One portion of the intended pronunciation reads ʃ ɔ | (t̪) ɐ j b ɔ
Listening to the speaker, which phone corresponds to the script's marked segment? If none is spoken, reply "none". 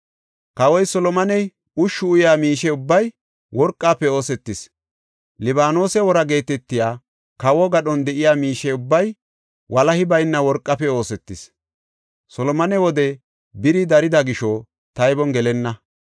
t̪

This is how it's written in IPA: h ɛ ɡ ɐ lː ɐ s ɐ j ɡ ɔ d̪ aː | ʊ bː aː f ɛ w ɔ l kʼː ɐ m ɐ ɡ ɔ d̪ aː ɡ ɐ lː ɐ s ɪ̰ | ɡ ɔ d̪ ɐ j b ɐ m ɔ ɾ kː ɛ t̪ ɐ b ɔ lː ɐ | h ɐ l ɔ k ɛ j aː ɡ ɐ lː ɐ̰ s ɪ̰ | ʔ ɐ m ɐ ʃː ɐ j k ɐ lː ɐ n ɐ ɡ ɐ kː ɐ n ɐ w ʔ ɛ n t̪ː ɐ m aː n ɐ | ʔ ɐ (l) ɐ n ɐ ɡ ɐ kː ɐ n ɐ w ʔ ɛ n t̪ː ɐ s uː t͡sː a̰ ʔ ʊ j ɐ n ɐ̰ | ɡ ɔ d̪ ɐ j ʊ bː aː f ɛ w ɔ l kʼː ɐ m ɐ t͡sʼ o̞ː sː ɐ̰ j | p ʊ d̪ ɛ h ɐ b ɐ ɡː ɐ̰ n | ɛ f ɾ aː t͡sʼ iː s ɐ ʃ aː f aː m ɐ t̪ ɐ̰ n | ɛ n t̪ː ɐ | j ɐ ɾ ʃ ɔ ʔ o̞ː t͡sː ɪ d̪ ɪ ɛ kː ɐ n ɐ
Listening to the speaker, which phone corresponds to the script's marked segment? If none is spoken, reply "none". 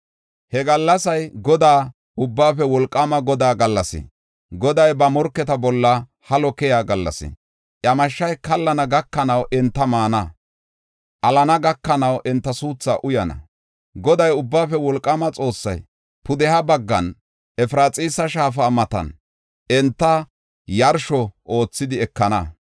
l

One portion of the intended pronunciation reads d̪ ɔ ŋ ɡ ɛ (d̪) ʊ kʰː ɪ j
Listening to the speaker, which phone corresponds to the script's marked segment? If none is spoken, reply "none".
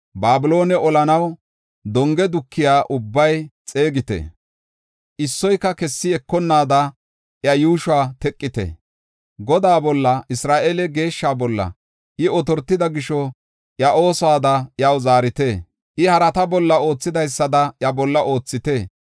d̪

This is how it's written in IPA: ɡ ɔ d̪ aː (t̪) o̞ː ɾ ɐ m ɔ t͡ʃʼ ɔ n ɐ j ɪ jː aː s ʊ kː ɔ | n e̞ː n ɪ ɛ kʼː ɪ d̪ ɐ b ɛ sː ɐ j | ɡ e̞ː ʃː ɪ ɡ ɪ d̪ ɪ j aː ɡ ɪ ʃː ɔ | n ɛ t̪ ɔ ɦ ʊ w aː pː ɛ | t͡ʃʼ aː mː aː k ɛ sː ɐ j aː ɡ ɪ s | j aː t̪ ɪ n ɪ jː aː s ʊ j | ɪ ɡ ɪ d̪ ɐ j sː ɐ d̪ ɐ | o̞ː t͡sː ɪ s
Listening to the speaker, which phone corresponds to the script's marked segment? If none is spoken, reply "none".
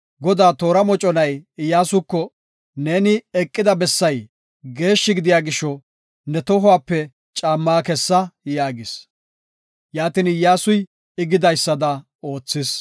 t̪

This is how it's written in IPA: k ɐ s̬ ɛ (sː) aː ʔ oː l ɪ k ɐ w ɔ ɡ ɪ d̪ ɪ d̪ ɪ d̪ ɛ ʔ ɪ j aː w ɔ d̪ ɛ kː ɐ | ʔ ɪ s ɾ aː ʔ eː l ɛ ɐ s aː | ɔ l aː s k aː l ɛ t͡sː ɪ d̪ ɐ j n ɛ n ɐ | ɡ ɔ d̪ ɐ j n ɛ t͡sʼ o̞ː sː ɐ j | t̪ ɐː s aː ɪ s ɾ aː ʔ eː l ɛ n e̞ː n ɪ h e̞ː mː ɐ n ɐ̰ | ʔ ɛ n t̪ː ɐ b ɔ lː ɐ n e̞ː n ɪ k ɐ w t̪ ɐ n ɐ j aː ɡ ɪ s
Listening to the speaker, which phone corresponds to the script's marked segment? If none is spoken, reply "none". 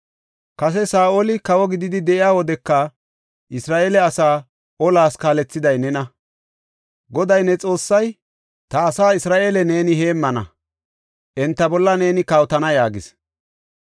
s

